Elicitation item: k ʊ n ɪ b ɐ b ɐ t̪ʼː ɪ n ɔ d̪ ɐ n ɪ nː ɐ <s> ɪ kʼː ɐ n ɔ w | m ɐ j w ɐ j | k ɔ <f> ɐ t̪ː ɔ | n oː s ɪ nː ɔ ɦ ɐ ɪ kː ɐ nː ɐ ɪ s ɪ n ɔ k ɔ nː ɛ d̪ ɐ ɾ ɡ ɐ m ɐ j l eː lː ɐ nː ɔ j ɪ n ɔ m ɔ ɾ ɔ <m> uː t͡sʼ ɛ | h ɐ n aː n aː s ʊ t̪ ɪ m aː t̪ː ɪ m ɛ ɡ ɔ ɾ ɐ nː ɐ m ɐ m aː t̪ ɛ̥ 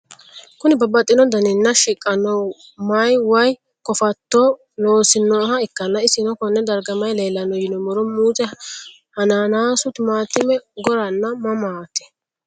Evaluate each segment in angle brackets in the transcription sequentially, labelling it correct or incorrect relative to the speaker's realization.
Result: incorrect: ʃ, correct, correct

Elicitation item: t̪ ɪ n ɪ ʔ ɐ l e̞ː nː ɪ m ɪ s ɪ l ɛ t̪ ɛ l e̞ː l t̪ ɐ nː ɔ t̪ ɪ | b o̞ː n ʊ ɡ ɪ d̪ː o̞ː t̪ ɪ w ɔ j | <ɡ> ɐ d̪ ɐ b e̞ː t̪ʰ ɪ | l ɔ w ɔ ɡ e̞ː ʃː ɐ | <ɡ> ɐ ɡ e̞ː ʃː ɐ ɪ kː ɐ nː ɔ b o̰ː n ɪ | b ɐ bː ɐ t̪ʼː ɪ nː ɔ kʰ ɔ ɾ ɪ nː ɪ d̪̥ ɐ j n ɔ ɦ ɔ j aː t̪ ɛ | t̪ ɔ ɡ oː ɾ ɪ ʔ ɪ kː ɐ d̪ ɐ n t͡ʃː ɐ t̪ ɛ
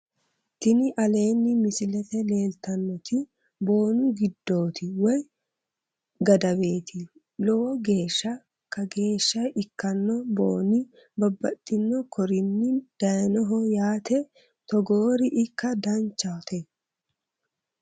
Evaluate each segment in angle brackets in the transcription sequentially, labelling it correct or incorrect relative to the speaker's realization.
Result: correct, incorrect: k

